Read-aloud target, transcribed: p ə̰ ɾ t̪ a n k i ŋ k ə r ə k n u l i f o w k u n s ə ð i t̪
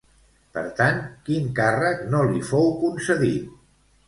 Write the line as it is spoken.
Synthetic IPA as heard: p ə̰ ɾ t̪ a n k i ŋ k a r ə k n o l i f o w k u n s ə ð i t̪

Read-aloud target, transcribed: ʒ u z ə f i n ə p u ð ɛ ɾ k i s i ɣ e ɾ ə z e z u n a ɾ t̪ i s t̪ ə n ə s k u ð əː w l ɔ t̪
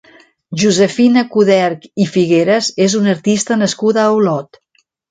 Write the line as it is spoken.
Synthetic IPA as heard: ʒ u z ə f i n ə k u ð ɛ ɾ k i f i ɣ e ɾ ə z e z u n ə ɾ t̪ i s t̪ ə n ə s k u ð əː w l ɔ t̪

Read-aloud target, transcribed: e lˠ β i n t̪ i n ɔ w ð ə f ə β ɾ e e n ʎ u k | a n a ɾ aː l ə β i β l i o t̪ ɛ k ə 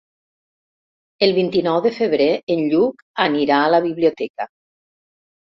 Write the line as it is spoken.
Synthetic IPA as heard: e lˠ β i n t̪ i n ɔ w ð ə f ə β ɾ e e n ʎ u k | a n i ɾ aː l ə β i β l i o t̪ ɛ k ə

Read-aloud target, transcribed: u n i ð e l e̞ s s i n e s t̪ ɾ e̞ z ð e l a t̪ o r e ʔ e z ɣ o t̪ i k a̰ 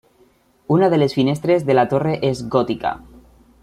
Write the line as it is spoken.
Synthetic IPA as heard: u n a ð e l e̞ s f i n e s t̪ ɾ e̞ z ð e l a t̪ o r e ʔ e z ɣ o t̪ i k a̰

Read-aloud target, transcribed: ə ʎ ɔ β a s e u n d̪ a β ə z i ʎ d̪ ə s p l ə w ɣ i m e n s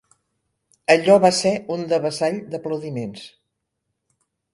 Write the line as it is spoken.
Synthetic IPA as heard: ə ʎ ɔ β a s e u n d̪ ə β ə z a ʎ d̪ ə p l ə w ð i m e n s

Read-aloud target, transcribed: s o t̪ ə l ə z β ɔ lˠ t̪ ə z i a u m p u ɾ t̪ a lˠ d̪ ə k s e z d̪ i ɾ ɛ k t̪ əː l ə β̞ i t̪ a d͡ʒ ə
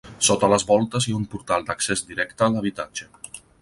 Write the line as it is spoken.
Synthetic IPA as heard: s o t̪ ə l ə z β ɔ lˠ t̪ ə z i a u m p u ɾ t̪ a lˠ d̪ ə k s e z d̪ i ɾ ɛ k t̪ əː l ə β̞ i t̪ a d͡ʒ ə

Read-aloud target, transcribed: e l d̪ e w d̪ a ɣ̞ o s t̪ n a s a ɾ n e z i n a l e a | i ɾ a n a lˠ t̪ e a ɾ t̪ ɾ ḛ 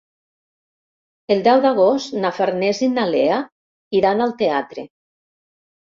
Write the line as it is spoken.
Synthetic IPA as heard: e l d̪ ɛ w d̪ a ɣ̞ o s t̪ n a f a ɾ n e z i n a l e a | i ɾ a n a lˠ t̪ e a t̪ ɾ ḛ

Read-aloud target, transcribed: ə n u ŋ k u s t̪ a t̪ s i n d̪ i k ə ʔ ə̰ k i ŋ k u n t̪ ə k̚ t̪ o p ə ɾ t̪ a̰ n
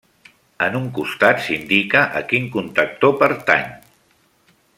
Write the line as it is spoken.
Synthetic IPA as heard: ə n u ŋ k u s t̪ a t̪ s i n d̪ i k ə ʔ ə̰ k i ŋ k u n t̪ ə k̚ t̪ o p ə ɾ t̪ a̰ ɲ

